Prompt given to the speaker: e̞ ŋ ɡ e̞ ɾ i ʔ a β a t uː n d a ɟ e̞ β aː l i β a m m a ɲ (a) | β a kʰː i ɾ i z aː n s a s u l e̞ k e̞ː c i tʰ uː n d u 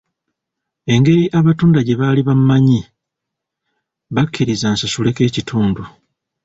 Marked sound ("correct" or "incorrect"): incorrect